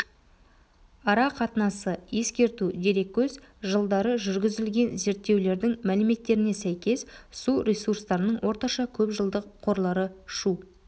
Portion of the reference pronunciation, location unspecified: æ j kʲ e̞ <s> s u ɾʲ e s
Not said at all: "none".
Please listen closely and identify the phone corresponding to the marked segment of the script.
s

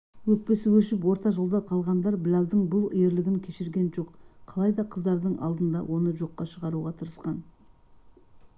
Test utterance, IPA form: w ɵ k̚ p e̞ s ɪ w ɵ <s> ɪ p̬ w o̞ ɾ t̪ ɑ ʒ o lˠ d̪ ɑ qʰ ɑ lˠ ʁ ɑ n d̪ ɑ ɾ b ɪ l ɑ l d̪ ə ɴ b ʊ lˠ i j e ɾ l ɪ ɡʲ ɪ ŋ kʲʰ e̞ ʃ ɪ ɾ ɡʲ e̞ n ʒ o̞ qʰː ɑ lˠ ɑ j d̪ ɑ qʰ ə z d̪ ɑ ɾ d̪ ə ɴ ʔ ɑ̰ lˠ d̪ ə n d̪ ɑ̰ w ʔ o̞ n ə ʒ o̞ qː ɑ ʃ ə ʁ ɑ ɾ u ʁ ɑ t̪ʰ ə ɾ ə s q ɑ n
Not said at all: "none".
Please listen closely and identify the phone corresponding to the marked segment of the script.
ʃ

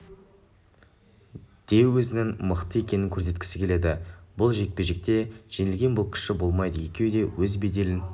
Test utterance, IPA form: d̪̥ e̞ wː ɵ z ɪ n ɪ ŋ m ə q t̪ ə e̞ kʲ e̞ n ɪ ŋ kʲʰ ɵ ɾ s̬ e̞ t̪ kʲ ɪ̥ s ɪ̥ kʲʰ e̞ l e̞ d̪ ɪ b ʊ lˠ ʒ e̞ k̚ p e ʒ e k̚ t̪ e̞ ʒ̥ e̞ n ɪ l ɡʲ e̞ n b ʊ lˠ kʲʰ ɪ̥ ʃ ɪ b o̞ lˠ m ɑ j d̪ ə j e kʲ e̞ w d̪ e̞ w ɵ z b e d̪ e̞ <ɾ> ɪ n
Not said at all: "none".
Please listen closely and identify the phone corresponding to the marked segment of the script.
l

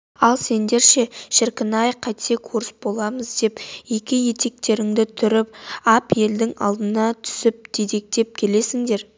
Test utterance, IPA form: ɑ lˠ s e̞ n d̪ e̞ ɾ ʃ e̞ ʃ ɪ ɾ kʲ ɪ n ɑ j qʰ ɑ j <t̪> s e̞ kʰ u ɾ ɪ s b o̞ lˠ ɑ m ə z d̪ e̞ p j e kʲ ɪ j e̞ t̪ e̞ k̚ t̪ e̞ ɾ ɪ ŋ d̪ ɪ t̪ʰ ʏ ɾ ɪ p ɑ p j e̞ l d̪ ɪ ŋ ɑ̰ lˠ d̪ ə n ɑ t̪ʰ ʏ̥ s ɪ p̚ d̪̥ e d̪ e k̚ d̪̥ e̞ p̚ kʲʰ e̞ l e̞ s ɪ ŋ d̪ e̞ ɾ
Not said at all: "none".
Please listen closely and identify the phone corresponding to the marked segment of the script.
t̪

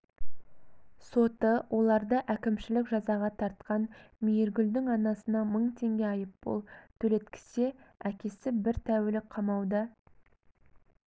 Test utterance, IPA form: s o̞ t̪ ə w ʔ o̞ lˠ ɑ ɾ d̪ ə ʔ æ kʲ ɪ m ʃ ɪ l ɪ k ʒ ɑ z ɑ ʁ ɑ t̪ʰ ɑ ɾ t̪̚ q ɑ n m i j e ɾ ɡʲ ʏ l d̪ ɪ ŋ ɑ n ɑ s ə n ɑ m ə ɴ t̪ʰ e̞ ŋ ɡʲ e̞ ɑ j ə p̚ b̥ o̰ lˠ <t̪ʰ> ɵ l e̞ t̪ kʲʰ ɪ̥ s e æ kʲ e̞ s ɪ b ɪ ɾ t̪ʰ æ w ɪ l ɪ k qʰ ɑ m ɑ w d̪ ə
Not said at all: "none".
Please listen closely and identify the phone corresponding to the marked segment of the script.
t̪ʰ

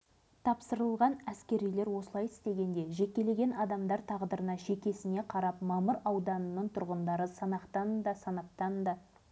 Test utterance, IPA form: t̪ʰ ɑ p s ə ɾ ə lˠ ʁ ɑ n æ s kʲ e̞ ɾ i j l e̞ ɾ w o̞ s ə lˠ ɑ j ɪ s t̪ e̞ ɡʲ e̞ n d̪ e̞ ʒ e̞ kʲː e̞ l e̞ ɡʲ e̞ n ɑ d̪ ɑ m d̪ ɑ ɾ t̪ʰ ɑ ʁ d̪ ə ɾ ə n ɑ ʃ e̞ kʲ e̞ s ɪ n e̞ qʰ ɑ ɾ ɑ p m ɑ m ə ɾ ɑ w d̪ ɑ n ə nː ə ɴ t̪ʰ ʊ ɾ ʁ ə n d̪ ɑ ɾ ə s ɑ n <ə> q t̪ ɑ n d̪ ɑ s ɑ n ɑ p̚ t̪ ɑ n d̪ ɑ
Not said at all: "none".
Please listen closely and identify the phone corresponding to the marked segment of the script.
ɑ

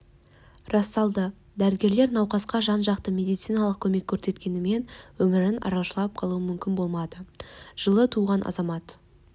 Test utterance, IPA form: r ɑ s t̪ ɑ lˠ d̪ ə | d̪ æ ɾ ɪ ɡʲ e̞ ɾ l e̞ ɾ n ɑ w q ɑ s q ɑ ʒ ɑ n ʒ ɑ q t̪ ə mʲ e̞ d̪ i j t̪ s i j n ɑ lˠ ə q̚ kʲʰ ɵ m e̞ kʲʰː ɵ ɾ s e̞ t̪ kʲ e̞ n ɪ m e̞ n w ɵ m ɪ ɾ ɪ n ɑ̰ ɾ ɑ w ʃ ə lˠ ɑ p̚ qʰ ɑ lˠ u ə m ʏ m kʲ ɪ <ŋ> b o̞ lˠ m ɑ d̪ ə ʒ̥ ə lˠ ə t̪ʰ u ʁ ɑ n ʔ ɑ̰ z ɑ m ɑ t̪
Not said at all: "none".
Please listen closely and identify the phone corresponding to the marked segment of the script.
n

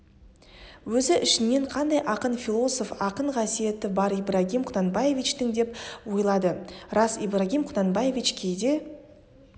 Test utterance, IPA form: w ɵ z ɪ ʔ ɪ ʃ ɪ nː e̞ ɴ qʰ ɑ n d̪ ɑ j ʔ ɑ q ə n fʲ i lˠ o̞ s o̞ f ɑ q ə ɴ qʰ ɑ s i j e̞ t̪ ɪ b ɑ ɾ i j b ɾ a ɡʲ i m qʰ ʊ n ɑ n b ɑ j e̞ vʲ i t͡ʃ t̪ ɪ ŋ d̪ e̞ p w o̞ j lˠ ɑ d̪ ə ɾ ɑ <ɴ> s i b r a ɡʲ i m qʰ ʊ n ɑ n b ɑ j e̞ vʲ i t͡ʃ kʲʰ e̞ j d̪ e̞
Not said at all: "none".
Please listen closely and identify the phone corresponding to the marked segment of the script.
none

